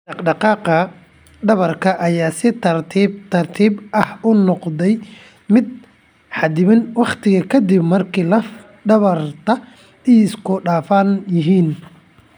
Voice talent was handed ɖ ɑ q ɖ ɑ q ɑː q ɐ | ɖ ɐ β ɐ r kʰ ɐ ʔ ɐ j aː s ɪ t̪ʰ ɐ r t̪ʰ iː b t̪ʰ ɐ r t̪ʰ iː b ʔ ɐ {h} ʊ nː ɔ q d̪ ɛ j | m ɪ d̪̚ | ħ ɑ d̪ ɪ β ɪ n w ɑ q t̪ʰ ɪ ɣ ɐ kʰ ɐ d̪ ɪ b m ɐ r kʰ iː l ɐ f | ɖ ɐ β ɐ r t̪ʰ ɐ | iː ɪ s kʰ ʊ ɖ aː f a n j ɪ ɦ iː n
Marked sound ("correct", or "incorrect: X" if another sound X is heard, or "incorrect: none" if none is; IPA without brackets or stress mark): correct